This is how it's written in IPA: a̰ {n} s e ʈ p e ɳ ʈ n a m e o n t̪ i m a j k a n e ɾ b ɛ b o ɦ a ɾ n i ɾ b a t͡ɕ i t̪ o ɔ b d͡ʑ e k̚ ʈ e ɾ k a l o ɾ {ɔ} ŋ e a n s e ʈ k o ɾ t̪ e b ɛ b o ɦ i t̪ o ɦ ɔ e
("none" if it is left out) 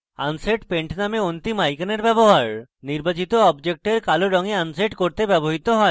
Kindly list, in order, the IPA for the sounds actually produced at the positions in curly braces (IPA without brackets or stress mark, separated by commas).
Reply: n, ɔ